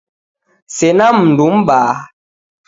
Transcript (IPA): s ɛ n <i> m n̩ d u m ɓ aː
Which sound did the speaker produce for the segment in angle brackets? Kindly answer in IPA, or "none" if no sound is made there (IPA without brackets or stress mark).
a